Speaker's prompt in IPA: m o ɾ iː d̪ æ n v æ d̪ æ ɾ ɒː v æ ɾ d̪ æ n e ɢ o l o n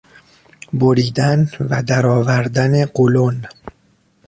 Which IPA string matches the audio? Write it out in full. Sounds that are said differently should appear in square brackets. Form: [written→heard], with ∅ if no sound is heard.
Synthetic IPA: [m→b] o ɾ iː d̪ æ n v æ d̪ æ ɾ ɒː v æ ɾ d̪ æ n e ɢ o l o n